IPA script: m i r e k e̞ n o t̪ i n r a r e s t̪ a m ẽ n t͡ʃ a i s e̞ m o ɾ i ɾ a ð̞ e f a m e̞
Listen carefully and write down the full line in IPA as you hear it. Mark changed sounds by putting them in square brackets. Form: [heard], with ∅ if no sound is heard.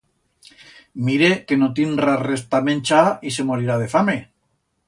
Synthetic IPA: m i [ɾ] e k e̞ n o t̪ i n r a r e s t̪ a m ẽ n t͡ʃ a i s e̞ m o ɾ i ɾ a ð̞ e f a m e̞

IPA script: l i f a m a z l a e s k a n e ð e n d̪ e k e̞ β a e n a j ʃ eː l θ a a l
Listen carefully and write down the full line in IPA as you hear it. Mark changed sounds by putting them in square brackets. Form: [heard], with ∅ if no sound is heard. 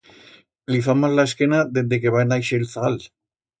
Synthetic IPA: l i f a m a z l a e s k [e] n [a] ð e n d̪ e k e̞ β a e n a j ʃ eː l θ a a l

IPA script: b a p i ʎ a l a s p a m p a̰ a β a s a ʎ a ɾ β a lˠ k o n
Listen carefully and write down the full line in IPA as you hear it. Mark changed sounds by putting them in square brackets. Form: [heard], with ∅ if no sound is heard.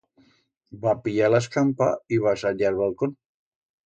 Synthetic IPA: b a p i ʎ a l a s [k] a m p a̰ [i] β a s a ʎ a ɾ β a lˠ k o n

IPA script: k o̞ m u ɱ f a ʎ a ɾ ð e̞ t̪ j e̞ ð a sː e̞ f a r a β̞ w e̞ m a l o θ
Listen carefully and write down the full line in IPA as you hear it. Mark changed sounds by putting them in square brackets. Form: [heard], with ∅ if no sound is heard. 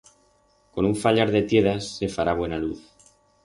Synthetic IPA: k o̞ [n] u ɱ f a ʎ a ɾ ð e̞ t̪ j e̞ ð a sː e̞ f a [ɾ] a β̞ w e̞ [n] a l [u] θ

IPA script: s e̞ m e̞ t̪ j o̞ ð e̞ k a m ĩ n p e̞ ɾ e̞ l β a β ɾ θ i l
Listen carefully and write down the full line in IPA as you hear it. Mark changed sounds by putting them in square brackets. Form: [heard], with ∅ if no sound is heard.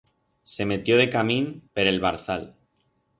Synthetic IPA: s e̞ m e̞ t̪ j o̞ ð e̞ k a m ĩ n p e̞ ɾ e̞ l β a [∅] ɾ θ [a] l

